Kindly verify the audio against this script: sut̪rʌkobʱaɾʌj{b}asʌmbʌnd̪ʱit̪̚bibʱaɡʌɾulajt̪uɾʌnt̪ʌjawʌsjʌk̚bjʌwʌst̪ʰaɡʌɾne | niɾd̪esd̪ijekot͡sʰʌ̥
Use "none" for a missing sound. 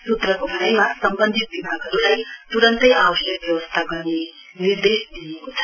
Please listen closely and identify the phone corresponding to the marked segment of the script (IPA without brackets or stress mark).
m